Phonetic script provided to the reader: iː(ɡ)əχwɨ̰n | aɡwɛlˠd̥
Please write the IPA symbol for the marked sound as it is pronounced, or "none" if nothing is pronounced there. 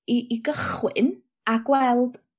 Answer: ɡ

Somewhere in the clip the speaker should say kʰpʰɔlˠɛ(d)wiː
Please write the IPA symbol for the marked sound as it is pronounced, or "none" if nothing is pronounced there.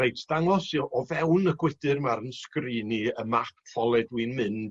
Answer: d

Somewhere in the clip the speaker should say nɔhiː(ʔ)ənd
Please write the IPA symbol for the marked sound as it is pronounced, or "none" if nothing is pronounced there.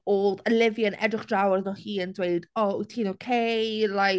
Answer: none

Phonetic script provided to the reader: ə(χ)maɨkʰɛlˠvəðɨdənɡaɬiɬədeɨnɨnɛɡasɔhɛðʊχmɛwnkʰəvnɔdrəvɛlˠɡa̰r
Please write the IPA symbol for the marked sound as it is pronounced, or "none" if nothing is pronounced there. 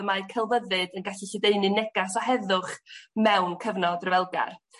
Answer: none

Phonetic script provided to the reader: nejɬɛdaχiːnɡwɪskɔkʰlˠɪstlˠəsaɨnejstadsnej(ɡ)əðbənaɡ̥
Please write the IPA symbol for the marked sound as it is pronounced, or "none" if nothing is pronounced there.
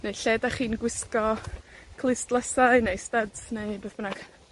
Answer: b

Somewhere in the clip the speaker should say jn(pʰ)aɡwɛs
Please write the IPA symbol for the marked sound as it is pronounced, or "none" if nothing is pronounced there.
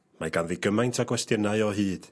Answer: tʰ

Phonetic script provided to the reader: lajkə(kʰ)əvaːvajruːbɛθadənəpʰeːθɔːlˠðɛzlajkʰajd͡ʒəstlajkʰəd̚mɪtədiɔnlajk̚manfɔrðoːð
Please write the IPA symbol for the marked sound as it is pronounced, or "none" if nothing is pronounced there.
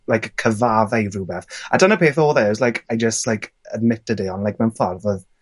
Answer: kʰ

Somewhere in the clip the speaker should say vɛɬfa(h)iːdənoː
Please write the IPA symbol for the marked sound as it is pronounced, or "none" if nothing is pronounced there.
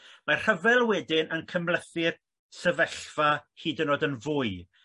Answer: h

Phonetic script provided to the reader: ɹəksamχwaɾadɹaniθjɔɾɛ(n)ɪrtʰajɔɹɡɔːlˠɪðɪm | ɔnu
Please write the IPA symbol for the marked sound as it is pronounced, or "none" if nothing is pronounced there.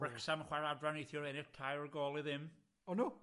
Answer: n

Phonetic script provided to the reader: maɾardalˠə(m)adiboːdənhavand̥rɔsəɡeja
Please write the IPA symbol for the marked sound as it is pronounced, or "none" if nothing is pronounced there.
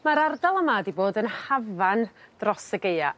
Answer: m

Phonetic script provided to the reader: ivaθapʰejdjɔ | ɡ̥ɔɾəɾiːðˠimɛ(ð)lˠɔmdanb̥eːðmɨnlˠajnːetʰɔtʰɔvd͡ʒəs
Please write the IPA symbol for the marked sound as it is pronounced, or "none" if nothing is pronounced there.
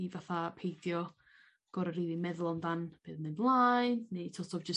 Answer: ð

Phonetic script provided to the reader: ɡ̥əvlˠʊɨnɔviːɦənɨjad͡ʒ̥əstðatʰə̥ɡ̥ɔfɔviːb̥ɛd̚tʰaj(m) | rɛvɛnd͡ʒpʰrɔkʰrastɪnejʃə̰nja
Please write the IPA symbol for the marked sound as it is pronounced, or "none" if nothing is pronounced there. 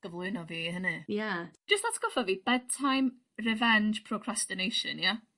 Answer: m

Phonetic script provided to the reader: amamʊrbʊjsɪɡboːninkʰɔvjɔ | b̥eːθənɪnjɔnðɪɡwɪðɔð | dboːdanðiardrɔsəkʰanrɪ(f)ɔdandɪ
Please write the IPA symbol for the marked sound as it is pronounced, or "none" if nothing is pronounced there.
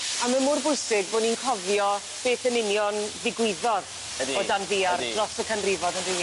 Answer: v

